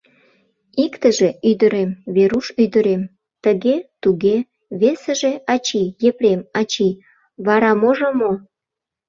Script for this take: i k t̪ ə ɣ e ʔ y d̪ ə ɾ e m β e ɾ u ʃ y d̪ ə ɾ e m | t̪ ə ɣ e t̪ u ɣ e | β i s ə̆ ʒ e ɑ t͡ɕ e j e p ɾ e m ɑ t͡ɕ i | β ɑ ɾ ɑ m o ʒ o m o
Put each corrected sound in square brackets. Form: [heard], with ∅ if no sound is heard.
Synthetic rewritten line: i k t̪ ə [ʒ] e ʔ y d̪ ə ɾ e m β e ɾ u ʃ y d̪ ə ɾ e m | t̪ ə ɣ e t̪ u ɣ e | β [e] s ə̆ ʒ e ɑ t͡ɕ [i] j e p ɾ e m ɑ t͡ɕ i | β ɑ ɾ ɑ m o ʒ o m o